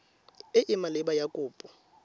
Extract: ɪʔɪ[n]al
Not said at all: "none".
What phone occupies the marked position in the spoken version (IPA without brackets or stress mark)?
m